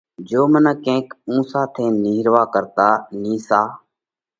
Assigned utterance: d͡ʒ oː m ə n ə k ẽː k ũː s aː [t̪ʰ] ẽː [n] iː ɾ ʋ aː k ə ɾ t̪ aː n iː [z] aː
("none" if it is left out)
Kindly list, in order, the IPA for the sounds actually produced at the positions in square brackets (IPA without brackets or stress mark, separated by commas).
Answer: t̪ʰ, n, s